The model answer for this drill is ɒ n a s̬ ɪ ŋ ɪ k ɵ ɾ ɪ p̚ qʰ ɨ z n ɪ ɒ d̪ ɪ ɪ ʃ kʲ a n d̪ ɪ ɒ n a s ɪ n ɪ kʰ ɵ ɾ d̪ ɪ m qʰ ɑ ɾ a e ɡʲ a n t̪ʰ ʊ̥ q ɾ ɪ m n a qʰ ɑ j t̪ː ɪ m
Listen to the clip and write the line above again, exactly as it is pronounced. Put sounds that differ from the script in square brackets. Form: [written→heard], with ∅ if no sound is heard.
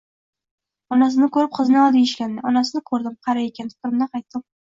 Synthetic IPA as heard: ɒ n a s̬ ɪ [ŋ→n] ɪ k ɵ ɾ ɪ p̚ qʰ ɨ z n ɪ ɒ d̪ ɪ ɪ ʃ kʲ a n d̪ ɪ ɒ n a s ɪ n ɪ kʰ ɵ ɾ d̪ ɪ m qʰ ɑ ɾ a e [ɡʲ→kʲ] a n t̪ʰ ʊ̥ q ɾ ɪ m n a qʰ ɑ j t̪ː ɪ m